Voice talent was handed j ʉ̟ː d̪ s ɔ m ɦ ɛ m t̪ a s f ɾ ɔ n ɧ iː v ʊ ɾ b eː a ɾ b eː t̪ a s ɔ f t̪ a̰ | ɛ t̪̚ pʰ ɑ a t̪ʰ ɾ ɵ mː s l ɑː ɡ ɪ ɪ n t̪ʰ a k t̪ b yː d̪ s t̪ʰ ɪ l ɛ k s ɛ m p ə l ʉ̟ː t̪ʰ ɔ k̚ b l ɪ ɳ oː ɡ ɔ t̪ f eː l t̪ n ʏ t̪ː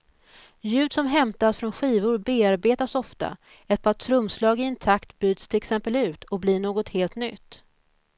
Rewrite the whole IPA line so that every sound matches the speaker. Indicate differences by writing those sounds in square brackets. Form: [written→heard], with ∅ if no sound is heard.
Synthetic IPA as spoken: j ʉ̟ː d̪ s ɔ m ɦ ɛ m t̪ a s f ɾ ɔ n ɧ iː v ʊ ɾ b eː a ɾ b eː t̪ a s ɔ f t̪ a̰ | ɛ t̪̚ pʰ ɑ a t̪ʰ ɾ ɵ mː s l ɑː ɡ ɪ ɪ n t̪ʰ a k t̪ b yː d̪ s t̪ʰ ɪ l ɛ k s ɛ m p ə l ʉ̟ː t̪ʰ ɔ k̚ b l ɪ ɳ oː ɡ ɔ t̪ [f→h] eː l t̪ n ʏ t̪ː